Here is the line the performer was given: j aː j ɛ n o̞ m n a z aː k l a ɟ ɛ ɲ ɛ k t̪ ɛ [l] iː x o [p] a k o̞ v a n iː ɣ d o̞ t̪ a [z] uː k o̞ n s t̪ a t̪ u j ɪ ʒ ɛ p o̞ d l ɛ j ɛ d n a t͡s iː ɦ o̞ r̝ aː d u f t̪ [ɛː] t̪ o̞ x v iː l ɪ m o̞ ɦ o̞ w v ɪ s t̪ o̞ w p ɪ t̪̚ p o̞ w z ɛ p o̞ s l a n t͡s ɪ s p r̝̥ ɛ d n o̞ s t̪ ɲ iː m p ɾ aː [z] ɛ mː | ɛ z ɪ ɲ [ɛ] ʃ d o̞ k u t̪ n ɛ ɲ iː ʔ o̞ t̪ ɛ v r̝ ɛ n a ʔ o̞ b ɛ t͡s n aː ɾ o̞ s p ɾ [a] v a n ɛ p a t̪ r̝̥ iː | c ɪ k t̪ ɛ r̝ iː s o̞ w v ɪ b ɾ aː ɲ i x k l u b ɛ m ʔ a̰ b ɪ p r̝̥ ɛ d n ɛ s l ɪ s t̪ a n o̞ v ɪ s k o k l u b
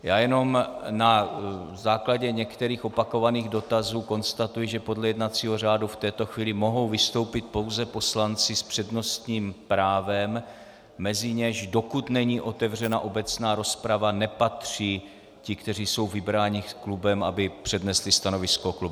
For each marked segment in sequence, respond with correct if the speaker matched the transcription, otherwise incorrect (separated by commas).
incorrect, correct, correct, correct, incorrect, correct, correct